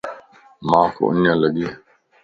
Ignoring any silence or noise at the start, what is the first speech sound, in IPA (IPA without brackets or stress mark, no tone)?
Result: m